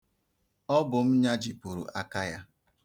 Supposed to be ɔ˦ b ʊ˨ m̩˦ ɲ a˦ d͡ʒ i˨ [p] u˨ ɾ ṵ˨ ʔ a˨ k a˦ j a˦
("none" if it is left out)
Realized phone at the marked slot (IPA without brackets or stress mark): p